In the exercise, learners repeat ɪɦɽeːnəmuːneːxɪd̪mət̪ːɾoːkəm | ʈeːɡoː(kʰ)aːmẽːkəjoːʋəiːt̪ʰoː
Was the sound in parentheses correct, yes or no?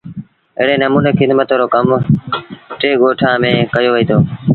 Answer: no